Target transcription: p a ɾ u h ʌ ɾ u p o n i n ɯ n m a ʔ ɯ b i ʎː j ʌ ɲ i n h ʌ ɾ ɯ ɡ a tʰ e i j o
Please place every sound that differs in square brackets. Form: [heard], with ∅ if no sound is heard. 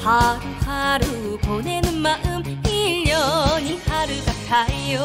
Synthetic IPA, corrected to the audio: p a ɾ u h [a] ɾ u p o n [e] n ɯ n m a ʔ ɯ [m] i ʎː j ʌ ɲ i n h [a] ɾ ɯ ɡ a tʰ [a] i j o

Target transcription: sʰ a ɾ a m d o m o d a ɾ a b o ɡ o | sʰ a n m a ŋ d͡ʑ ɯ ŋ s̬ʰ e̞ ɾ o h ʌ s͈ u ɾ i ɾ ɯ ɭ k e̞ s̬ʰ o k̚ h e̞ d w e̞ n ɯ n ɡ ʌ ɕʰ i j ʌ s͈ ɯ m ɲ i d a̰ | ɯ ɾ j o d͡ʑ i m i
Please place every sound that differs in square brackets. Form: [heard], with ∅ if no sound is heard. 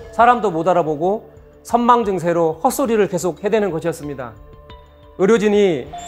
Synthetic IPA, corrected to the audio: sʰ a ɾ a m d o m o d a ɾ a b o ɡ o | sʰ [ʌ] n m a ŋ d͡ʑ ɯ ŋ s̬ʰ e̞ ɾ o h ʌ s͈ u ɾ i ɾ ɯ ɭ k e̞ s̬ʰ o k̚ h e̞ d w e̞ n ɯ n ɡ ʌ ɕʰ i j ʌ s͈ ɯ m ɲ i d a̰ | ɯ ɾ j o d͡ʑ i [ɲ] i

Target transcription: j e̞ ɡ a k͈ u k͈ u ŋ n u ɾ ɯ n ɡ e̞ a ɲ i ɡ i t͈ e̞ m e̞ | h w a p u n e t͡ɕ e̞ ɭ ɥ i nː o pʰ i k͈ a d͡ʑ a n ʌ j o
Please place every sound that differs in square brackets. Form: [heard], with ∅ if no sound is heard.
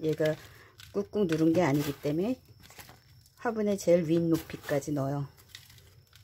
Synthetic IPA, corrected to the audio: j e̞ ɡ a k͈ u k͈ u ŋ n u ɾ ɯ n ɡ e̞ a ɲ i ɡ i t͈ e̞ m e̞ | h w a [b] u n e t͡ɕ e̞ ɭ ɥ i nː o pʰ i k͈ a d͡ʑ [i] n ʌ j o

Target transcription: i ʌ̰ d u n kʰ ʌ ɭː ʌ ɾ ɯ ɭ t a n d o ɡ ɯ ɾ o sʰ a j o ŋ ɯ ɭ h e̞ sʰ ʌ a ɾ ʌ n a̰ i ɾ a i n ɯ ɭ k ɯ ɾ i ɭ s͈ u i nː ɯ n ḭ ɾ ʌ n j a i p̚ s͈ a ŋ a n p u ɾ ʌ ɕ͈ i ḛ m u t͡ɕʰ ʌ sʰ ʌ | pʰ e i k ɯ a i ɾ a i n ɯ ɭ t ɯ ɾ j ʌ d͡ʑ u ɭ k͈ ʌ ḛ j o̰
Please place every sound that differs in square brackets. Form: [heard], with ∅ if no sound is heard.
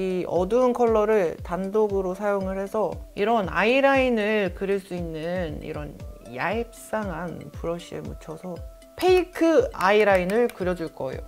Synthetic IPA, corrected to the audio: i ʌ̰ d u n kʰ ʌ ɭː ʌ ɾ ɯ ɭ t a n d o ɡ ɯ ɾ o sʰ a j o ŋ ɯ ɭ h e̞ sʰ ʌ [i] ɾ ʌ n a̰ i ɾ a i n ɯ ɭ k ɯ ɾ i ɭ s͈ u i nː ɯ n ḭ ɾ ʌ n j a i p̚ s͈ a ŋ a n p u ɾ ʌ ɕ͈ i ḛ m u t͡ɕʰ ʌ sʰ ʌ | pʰ e i [kʰ] ɯ a i ɾ a i n ɯ ɭ [k] ɯ ɾ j ʌ d͡ʑ u ɭ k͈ ʌ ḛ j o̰

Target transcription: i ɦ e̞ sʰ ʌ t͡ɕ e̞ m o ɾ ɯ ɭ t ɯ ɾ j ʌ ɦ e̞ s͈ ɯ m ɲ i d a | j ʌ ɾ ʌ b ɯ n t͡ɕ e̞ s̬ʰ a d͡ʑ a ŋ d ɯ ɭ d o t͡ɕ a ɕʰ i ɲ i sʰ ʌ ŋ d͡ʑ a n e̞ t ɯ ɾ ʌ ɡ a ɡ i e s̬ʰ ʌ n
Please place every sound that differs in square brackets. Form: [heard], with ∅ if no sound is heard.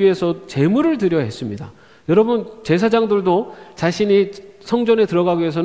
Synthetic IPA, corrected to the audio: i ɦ e̞ sʰ ʌ t͡ɕ e̞ m [u] ɾ ɯ ɭ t ɯ ɾ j ʌ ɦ e̞ s͈ ɯ m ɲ i d a | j ʌ ɾ ʌ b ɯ n t͡ɕ e̞ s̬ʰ a d͡ʑ a ŋ d ɯ ɭ d o t͡ɕ a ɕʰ i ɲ i sʰ ʌ ŋ d͡ʑ [ʌ] n e̞ t ɯ ɾ ʌ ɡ a ɡ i e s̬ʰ ʌ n

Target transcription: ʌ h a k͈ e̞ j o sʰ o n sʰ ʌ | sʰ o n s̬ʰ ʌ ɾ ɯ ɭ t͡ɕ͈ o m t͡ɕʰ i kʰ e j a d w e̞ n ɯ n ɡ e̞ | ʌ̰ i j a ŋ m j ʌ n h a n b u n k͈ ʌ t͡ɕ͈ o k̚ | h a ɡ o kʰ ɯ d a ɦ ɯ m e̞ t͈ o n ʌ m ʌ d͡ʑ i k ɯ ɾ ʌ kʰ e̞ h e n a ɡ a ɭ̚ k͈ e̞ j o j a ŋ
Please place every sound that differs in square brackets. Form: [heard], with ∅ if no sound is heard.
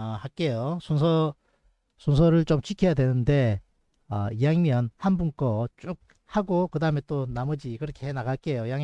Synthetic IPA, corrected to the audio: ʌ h a k͈ e̞ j o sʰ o n sʰ ʌ | sʰ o n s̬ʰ ʌ ɾ ɯ ɭ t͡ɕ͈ o m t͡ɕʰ i kʰ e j a d w e̞ n ɯ n [d] e̞ | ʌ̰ i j a ŋ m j ʌ n h a n b u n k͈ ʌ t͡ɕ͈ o k̚ | h a ɡ o [k] ɯ d a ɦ ɯ m e̞ t͈ o n [a] m ʌ d͡ʑ i k ɯ ɾ ʌ kʰ e̞ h e n a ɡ a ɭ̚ k͈ e̞ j o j a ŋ

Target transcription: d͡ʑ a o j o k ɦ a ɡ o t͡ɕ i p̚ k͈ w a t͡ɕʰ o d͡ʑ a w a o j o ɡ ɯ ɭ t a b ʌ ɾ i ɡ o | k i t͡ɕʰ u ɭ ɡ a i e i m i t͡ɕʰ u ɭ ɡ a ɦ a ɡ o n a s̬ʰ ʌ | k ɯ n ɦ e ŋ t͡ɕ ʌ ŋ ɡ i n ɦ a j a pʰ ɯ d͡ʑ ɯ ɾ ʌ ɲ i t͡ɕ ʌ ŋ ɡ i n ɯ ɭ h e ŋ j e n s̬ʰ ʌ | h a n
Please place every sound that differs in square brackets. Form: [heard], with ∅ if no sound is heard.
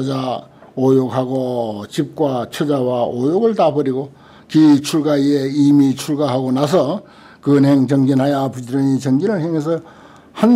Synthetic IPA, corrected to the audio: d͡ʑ a o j o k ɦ a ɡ o t͡ɕ i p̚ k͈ w a t͡ɕʰ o d͡ʑ a w a o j o ɡ ɯ ɭ t a b ʌ ɾ i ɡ o | k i t͡ɕʰ u ɭ ɡ a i e i m i t͡ɕʰ u ɭ ɡ a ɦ a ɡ o n a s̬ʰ ʌ | k ɯ n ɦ e ŋ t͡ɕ ʌ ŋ ɡ i n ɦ a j a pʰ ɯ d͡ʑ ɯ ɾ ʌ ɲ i t͡ɕ ʌ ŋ ɡ i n ɯ ɭ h e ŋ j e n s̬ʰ ʌ | h a n

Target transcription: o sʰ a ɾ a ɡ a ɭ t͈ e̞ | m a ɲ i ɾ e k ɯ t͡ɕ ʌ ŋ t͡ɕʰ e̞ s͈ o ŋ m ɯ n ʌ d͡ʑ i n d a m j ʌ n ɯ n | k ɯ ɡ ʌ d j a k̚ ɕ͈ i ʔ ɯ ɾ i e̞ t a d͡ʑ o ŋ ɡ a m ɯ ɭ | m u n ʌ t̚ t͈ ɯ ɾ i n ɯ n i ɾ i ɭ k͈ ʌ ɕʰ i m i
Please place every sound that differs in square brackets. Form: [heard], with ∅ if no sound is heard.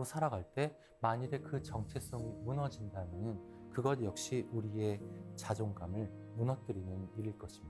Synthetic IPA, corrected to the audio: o sʰ a ɾ a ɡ a ɭ t͈ e̞ | m a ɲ i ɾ e k ɯ t͡ɕ ʌ ŋ t͡ɕʰ e̞ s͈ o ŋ m [u] n ʌ d͡ʑ i n d a m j ʌ n ɯ n | k ɯ ɡ ʌ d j [ʌ] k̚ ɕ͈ i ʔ [u] ɾ i e̞ [t͡ɕ] a d͡ʑ o ŋ ɡ a m ɯ ɭ | m u n ʌ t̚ t͈ ɯ ɾ i n ɯ n i ɾ i ɭ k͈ ʌ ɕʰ i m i

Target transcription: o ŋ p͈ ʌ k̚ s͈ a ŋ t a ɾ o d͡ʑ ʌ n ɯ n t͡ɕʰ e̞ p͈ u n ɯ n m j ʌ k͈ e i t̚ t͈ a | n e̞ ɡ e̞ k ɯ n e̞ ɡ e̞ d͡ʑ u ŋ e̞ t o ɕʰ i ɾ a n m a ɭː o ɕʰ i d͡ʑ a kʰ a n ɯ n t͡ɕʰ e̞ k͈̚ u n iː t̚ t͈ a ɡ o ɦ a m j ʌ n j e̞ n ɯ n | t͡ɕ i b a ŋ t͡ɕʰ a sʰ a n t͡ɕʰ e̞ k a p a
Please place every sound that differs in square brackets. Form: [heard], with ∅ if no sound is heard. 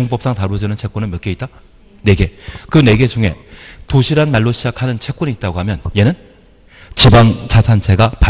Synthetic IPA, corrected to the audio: o ŋ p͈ ʌ [p̚] s͈ a ŋ t a ɾ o d͡ʑ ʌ n ɯ n t͡ɕʰ e̞ [k͈] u n ɯ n m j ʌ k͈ e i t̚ t͈ a | n e̞ ɡ e̞ k ɯ n e̞ ɡ e̞ d͡ʑ u ŋ e̞ t o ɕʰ i ɾ a n m a ɭː o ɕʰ i d͡ʑ a kʰ a n ɯ n t͡ɕʰ e̞ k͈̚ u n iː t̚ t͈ a ɡ o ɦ a m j ʌ n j e̞ n ɯ n | t͡ɕ i b a ŋ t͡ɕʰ a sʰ a n t͡ɕʰ e̞ [ɡ] a p a

